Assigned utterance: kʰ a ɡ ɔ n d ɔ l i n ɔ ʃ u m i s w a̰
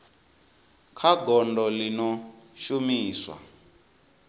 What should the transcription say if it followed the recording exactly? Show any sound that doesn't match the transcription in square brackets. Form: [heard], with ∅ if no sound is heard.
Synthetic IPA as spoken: kʰ a ɡ ɔ n d ɔ l i n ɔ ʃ u m [iː] s w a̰